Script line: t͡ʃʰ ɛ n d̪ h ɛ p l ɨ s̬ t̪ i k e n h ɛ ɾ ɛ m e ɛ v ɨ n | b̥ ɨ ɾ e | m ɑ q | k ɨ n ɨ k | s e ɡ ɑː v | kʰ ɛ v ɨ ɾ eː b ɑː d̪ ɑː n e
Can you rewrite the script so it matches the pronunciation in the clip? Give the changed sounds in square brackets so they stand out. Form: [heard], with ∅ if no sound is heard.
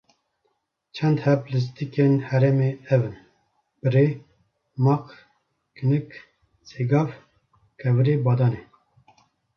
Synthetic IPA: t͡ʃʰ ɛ n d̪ h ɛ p l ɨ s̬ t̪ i k e n h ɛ ɾ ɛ m e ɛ v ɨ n | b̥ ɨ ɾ e | m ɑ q | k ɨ n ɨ k | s e ɡ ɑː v | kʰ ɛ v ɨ ɾ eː b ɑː d̪ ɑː n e